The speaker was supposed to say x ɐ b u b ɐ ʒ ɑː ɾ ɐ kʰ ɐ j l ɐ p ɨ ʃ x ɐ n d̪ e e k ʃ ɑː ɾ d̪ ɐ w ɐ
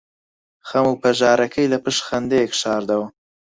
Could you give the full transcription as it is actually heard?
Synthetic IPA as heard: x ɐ m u p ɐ ʒ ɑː ɾ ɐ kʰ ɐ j l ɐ p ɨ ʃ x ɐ n d̪ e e k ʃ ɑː ɾ d̪ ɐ w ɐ